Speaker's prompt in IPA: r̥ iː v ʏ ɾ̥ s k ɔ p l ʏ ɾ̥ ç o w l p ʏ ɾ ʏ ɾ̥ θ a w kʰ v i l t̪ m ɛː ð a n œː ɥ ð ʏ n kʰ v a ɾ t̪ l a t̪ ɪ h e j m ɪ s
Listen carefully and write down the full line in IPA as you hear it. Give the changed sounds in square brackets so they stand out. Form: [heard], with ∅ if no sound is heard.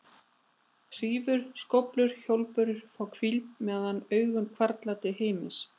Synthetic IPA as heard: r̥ iː v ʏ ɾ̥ s k ɔ p l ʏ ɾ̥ ç o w l p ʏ ɾ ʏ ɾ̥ [f] a w kʰ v i l t̪ m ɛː ð a n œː ɥ [ɣ] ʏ n kʰ v a ɾ t̪ l a t̪ ɪ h e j m ɪ s